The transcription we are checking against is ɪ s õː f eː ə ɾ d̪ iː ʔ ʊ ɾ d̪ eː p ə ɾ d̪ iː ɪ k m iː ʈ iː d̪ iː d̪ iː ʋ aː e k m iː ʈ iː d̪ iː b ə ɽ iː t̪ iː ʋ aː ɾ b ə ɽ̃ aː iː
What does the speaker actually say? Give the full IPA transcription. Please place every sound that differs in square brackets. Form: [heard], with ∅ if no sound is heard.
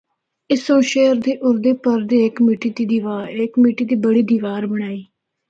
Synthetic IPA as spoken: ɪ s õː [ʃ] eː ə ɾ d̪ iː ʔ ʊ ɾ d̪ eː p ə ɾ d̪ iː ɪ k m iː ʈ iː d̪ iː d̪ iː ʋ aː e k m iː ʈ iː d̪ iː b ə ɽ iː [d̪] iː ʋ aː ɾ b ə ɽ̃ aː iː